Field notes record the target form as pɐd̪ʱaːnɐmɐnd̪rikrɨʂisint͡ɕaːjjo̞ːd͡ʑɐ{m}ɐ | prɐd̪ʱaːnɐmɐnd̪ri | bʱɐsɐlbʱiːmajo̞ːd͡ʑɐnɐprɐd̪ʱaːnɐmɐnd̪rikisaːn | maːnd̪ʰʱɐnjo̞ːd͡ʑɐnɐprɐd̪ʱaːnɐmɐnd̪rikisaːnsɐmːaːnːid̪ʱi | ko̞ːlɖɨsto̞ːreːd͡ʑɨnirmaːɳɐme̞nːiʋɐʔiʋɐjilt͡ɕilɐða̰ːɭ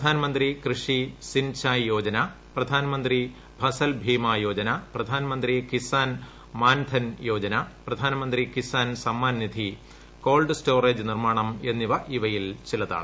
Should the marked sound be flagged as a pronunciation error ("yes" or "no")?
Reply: yes